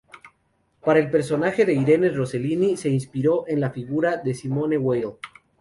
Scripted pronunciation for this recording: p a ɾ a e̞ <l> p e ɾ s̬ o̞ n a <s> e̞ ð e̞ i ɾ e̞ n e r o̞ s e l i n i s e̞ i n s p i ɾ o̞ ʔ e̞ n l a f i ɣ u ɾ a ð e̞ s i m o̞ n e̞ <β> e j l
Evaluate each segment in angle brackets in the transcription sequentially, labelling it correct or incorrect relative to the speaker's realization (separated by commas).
correct, incorrect, incorrect